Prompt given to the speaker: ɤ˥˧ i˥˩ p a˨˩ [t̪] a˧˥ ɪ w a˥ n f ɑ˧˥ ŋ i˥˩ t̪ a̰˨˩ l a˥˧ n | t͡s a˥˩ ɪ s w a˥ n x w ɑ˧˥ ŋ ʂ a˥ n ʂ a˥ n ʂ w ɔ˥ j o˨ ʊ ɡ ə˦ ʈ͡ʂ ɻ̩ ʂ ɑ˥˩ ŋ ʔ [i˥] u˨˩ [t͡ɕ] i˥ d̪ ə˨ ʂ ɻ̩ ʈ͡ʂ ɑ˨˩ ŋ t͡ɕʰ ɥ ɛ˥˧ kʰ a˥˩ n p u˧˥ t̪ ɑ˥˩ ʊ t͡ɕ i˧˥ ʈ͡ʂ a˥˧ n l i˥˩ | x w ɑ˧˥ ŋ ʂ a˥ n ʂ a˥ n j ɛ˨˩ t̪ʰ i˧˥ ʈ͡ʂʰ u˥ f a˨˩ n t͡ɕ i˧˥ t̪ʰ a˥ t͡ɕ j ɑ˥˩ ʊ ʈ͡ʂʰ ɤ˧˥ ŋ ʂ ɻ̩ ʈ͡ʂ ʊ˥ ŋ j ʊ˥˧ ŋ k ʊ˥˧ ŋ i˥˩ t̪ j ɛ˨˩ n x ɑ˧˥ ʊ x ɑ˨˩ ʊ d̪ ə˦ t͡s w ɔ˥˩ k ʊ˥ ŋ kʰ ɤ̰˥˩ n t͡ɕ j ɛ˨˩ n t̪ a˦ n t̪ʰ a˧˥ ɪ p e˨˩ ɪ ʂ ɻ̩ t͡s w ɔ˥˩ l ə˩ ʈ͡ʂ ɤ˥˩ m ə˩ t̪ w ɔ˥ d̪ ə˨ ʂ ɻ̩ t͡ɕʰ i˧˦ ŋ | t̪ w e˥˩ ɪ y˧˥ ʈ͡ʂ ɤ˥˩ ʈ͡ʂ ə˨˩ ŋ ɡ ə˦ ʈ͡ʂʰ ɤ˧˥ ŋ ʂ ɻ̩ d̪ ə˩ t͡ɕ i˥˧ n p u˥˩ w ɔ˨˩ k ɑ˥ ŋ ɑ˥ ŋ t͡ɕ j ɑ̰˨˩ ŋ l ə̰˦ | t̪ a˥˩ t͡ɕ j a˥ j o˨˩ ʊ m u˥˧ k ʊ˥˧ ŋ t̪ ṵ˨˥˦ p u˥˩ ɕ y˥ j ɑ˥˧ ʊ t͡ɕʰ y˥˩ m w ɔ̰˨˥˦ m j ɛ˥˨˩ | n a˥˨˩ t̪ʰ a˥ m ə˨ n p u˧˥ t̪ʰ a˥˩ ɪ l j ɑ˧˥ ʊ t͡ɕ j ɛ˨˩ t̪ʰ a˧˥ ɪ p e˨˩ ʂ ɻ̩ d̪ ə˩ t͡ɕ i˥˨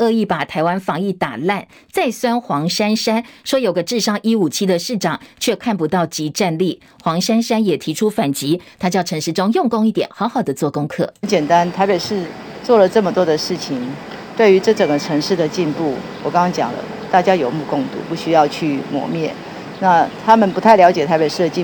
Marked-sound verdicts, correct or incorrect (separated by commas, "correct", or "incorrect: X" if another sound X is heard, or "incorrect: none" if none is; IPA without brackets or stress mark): incorrect: t̪ʰ, correct, incorrect: t͡ɕʰ